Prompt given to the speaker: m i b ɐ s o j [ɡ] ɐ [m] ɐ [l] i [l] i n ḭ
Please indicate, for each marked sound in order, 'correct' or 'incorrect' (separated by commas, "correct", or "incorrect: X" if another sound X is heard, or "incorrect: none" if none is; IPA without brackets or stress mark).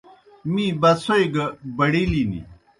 correct, incorrect: b, incorrect: ɽ, correct